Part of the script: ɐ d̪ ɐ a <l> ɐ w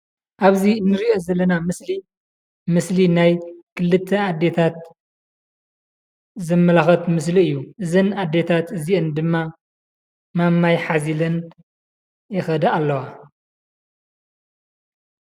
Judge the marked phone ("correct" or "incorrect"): incorrect